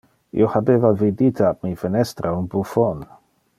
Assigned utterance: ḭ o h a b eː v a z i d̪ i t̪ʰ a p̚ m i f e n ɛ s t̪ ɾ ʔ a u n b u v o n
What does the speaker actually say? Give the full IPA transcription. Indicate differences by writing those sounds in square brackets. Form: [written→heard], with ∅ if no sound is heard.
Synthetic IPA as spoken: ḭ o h a b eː v a [z→v] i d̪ i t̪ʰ a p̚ m i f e n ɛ s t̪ ɾ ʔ a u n b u [v→f] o n